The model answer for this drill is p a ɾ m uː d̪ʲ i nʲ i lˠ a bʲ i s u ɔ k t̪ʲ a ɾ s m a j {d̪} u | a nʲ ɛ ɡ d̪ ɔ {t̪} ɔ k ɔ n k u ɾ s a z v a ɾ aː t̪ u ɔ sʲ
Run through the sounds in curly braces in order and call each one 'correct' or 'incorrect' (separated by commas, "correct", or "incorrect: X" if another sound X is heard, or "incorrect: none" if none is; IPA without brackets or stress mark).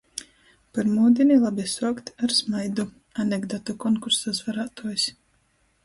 correct, correct